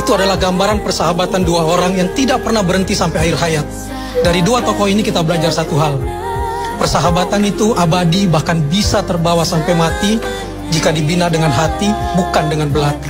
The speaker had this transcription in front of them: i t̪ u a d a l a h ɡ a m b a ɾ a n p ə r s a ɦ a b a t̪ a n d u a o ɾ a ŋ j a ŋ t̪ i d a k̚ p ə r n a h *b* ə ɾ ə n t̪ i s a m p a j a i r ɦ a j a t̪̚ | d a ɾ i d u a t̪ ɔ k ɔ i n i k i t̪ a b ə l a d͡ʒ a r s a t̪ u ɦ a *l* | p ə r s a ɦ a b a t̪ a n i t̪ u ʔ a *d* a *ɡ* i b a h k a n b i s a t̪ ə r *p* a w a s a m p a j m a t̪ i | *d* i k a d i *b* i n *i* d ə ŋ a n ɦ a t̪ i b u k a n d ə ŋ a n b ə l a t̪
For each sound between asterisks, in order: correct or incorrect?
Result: correct, correct, incorrect, incorrect, incorrect, incorrect, correct, incorrect

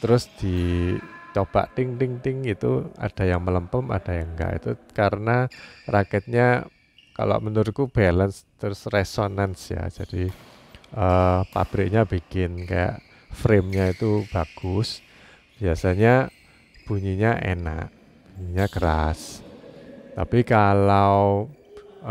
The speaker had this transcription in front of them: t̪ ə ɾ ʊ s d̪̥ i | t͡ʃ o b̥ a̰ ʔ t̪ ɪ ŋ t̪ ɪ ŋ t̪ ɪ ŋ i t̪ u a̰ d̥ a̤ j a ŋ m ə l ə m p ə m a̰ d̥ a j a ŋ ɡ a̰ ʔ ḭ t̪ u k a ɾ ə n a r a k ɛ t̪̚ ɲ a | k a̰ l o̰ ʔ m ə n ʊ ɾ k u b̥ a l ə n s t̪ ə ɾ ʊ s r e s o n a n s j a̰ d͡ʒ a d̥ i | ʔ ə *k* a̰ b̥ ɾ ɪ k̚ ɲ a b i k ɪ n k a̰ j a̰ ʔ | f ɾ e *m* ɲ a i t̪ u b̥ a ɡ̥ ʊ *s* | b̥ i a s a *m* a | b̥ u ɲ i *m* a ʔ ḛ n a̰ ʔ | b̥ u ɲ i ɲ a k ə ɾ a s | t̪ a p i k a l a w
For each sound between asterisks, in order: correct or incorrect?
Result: incorrect, correct, correct, incorrect, incorrect

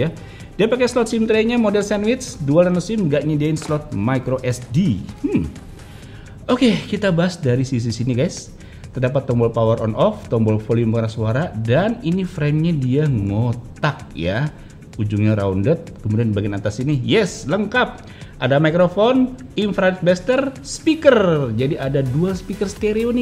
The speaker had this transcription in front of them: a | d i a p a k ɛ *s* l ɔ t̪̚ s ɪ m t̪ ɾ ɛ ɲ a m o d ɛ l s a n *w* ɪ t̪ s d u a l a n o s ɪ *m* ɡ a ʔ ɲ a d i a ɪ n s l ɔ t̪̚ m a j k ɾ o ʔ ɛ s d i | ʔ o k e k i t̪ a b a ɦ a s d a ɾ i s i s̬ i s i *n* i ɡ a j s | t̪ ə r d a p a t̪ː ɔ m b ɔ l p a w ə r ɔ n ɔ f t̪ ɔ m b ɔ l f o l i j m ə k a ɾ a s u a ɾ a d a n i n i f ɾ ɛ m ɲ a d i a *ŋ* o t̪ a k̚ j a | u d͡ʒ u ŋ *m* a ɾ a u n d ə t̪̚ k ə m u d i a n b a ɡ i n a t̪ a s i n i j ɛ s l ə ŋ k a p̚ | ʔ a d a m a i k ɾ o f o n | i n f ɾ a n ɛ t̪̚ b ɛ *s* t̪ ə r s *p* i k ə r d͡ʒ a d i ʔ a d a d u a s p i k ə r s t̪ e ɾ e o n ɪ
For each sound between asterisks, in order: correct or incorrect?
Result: correct, correct, correct, correct, correct, incorrect, correct, correct

